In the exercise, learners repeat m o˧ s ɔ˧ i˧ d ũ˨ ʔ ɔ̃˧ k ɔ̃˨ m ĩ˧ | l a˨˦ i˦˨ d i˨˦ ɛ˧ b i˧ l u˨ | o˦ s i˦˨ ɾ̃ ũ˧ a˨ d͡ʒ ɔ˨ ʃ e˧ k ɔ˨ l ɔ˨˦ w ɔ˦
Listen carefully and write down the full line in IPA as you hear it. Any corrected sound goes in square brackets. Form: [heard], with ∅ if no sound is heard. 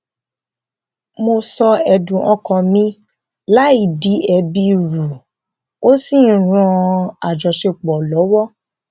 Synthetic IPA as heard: m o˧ s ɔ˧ [ɛ˧] d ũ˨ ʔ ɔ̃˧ k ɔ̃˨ m ĩ˧ | l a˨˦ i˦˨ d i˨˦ ɛ˧ b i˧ [ɾ] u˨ | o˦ s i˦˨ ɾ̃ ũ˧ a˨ d͡ʒ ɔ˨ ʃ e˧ [k͡p] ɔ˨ l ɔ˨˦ w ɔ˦